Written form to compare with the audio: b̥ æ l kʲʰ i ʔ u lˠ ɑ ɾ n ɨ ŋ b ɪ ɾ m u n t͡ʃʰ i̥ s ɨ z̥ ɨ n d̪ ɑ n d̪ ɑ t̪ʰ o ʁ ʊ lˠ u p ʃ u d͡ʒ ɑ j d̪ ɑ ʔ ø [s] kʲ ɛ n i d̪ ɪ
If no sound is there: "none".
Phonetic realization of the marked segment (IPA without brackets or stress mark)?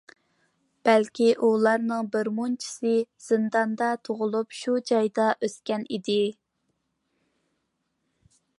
s